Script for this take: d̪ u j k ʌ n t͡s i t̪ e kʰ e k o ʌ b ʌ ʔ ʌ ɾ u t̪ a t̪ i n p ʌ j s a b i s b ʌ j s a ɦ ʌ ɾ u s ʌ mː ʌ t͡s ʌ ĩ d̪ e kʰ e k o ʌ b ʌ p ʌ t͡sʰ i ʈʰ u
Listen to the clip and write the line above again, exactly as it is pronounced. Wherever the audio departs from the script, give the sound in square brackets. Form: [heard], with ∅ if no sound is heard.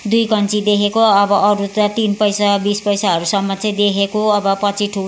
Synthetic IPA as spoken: d̪ u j k ʌ n t͡s i [d̪] e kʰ e k o ʌ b ʌ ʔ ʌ ɾ u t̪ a t̪ i n p ʌ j s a b i s [p] ʌ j s a ɦ ʌ ɾ u s ʌ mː ʌ t͡s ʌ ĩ d̪ e kʰ e k o ʌ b ʌ p ʌ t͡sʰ i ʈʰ u